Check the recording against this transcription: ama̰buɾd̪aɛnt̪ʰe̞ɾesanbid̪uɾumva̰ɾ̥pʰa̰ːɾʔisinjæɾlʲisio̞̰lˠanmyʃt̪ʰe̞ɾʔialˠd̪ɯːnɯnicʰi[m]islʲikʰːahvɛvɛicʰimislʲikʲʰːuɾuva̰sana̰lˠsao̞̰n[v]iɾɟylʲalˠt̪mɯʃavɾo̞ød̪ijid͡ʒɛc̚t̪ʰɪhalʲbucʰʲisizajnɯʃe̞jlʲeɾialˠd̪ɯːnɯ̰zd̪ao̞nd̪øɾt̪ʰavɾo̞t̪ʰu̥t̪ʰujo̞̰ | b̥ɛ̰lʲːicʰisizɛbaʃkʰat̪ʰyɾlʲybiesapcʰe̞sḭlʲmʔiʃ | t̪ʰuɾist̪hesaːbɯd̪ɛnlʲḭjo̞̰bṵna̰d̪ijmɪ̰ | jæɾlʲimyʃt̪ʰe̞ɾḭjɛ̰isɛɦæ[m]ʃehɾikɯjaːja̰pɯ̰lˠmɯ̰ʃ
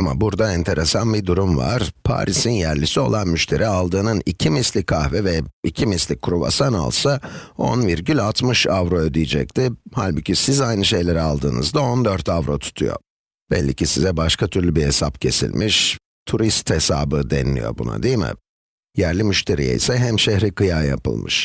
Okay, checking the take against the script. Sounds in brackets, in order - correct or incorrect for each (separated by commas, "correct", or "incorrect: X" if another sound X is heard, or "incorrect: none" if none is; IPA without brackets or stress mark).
correct, correct, correct